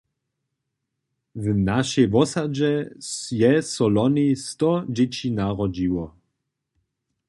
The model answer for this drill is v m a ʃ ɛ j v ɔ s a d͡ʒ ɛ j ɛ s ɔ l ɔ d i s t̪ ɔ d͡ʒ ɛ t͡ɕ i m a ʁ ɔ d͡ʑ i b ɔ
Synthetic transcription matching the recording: v n a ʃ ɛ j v ɔ s a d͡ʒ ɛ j ɛ s ɔ l ɔ n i s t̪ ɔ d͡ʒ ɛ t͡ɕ i n a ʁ ɔ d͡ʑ i w ɔ